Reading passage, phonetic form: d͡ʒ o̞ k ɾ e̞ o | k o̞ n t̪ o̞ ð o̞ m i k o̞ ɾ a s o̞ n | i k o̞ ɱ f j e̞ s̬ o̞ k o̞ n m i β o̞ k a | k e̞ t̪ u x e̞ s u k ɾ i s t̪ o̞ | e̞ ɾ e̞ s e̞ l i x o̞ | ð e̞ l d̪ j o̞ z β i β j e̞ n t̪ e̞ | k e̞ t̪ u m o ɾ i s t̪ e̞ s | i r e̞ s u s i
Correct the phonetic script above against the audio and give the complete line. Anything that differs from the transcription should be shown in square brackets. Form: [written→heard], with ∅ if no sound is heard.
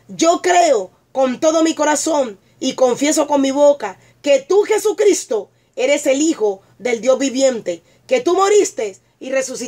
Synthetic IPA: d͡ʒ o̞ k ɾ e̞ o | k o̞ n t̪ o̞ ð o̞ m i k o̞ ɾ a s o̞ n | i k o̞ ɱ f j e̞ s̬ o̞ k o̞ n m i β o̞ k a | k e̞ t̪ u x e̞ s u k ɾ i s t̪ o̞ | e̞ ɾ e̞ s e̞ l i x o̞ | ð e̞ l d̪ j o̞ z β i β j e̞ n t̪ e̞ | k e̞ t̪ u m o ɾ i s t̪ e̞ s | i r e̞ s u s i